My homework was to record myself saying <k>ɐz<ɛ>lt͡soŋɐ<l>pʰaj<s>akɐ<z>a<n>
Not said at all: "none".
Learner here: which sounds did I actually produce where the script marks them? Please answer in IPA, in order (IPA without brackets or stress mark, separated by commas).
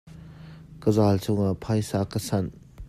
k, a, none, s, s, n